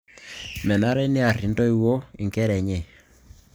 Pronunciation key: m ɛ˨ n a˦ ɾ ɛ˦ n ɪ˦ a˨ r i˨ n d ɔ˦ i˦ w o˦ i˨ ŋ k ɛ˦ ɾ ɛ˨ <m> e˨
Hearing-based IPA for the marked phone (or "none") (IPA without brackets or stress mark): ɲ